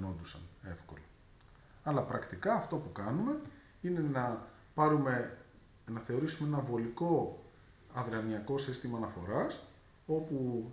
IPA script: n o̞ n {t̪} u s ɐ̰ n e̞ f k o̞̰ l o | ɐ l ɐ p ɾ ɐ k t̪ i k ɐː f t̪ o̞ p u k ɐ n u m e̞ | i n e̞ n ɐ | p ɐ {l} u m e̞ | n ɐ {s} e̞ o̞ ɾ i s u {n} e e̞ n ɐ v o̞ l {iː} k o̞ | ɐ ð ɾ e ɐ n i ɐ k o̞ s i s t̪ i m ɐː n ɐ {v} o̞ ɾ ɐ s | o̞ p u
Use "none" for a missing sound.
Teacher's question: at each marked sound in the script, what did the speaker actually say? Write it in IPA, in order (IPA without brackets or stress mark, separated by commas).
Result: d̪, ɾ, θ, m, i, f